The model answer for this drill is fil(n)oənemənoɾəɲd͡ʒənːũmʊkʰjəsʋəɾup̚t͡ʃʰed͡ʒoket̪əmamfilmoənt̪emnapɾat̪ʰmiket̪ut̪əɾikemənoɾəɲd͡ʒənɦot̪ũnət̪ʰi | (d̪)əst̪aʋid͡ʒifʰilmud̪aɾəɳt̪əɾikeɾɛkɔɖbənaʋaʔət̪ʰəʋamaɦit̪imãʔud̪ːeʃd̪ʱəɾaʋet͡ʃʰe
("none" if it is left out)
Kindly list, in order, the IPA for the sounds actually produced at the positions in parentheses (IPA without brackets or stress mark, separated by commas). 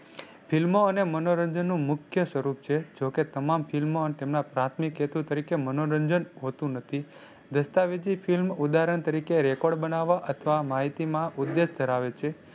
m, d̪